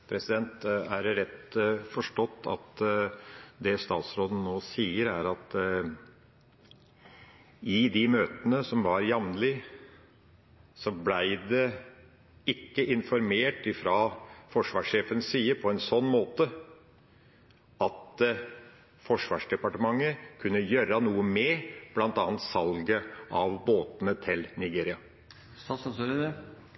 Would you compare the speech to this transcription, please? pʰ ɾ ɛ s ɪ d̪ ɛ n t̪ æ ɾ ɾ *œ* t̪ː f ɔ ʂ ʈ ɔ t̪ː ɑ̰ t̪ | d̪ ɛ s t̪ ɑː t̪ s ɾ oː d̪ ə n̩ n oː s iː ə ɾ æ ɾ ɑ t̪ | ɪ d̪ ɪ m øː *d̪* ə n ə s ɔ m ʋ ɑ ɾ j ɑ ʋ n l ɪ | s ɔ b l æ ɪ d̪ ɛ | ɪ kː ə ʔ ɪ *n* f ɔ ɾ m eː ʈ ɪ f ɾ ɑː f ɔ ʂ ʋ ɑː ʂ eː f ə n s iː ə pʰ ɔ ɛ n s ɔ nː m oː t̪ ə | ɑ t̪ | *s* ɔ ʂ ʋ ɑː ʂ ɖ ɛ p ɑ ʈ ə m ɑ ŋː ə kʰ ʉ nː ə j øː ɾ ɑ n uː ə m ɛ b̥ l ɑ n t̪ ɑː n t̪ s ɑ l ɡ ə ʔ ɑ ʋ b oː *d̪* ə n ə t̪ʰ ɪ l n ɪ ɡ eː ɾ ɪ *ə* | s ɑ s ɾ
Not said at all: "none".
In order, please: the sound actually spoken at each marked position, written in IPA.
ɛ, t̪, n, f, t̪, ɑ

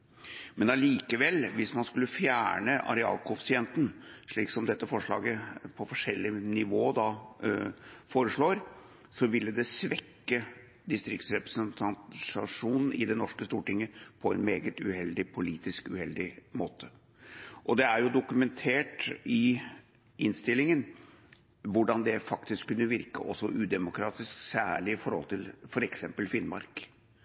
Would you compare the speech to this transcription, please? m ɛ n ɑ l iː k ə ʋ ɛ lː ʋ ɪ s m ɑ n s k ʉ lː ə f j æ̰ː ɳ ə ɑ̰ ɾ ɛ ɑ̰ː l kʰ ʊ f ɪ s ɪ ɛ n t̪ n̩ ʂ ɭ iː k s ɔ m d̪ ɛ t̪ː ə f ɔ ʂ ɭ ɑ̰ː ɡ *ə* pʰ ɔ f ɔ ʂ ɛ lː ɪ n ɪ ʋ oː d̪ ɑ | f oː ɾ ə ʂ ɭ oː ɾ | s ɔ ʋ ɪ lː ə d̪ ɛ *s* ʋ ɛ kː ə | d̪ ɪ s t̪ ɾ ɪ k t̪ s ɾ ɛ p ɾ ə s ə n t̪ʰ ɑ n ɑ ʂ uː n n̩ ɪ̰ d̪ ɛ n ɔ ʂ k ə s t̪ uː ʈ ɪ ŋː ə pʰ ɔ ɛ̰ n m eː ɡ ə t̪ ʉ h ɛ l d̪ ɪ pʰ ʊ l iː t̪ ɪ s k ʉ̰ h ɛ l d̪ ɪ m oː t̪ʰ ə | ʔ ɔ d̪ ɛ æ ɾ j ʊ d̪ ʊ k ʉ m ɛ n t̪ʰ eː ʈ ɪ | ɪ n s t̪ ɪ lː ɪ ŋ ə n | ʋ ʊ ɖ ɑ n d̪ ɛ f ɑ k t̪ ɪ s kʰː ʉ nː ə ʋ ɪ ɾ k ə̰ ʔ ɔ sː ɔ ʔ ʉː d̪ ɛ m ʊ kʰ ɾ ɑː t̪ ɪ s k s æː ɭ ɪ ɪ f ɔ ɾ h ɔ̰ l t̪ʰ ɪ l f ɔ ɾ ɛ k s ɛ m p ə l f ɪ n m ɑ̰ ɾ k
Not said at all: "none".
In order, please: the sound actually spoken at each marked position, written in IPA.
ə, s

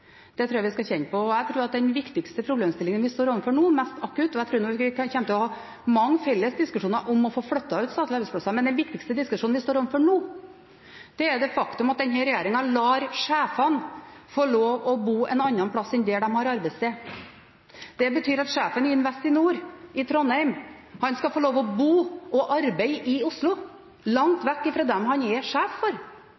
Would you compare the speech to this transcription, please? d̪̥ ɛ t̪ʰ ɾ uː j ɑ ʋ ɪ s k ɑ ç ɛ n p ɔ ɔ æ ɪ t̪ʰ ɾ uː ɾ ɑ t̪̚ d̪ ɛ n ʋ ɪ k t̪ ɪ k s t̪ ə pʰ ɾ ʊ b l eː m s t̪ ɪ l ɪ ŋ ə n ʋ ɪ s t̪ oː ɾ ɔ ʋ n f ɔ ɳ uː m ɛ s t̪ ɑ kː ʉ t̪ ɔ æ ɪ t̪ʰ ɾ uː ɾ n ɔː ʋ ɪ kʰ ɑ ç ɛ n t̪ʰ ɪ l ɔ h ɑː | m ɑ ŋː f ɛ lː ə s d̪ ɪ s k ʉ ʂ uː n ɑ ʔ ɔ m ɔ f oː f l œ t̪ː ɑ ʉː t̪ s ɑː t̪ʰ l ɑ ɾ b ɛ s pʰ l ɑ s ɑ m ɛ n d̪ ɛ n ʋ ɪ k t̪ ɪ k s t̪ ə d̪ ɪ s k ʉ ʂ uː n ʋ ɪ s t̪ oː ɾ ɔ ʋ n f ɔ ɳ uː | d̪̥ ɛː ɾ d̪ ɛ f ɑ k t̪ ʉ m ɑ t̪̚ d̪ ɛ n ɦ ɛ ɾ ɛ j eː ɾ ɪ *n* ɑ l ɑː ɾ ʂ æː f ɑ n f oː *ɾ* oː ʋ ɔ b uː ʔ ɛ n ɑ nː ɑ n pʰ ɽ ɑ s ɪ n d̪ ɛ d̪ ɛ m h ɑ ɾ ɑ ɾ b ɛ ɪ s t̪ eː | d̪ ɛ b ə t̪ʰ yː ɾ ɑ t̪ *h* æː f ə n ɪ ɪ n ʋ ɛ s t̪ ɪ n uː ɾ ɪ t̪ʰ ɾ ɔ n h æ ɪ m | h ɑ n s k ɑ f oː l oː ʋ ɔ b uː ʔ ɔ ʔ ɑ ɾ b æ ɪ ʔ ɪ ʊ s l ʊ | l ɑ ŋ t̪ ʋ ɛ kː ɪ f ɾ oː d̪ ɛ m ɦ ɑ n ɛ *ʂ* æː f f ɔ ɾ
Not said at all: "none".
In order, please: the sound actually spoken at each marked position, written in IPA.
ŋ, ɭ, ʂ, ʂ

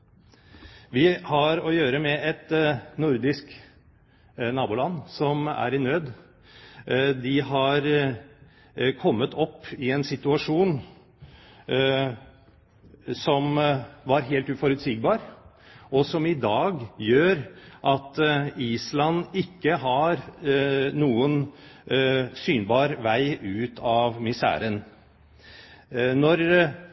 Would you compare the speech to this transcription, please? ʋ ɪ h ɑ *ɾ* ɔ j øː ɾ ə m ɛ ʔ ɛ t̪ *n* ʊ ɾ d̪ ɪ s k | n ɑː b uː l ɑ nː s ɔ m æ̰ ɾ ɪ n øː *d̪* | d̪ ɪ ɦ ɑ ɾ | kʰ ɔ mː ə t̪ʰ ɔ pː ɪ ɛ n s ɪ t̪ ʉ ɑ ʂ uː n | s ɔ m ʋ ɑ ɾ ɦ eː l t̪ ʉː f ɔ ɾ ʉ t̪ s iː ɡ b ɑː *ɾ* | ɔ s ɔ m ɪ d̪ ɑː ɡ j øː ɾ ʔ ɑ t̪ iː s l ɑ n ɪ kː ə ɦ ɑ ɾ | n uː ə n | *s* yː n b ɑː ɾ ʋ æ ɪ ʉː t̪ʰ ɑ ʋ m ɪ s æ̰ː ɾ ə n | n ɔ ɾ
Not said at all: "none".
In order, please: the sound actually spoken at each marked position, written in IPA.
ɾ, n, d̪, ɾ, s

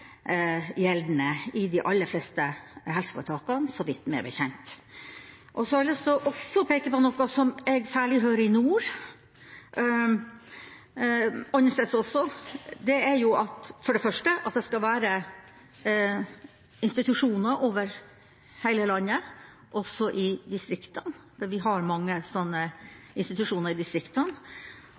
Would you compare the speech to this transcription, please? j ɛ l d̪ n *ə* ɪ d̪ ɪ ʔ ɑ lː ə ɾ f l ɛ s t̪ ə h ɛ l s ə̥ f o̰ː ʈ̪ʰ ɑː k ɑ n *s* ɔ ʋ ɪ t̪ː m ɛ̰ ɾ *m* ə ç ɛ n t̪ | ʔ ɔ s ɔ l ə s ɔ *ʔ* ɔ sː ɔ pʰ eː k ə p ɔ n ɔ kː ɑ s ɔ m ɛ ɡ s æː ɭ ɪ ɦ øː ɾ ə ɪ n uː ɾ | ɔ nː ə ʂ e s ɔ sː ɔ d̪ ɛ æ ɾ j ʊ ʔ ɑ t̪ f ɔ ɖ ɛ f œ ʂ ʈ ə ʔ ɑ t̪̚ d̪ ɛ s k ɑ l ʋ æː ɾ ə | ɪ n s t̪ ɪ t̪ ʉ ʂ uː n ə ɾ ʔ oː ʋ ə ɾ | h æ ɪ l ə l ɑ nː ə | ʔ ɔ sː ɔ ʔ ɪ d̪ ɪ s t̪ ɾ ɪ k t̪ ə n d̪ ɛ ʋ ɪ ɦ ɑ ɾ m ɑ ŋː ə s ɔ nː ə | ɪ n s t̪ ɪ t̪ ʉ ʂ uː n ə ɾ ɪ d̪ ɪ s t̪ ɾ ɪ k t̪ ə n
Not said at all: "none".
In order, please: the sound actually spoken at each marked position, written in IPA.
ə, s, b, ʔ

